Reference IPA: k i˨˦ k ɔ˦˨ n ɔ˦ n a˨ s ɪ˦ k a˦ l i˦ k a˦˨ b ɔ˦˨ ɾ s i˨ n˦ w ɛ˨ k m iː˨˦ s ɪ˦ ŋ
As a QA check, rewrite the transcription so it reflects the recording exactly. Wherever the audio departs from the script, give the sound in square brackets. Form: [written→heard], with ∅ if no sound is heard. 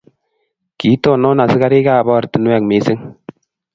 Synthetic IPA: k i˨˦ [k→t] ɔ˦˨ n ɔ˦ n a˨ s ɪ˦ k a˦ [l→ɾ] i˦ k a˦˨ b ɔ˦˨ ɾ [s→t] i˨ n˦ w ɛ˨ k m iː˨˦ s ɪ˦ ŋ